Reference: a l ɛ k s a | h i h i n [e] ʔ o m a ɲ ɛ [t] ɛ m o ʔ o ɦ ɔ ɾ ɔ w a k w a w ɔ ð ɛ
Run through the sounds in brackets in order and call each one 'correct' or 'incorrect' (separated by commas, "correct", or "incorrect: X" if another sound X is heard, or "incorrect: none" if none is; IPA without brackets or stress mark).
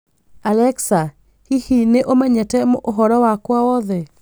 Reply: correct, correct